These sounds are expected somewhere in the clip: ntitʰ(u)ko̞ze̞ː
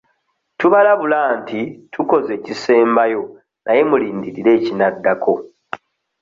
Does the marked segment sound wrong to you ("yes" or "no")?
no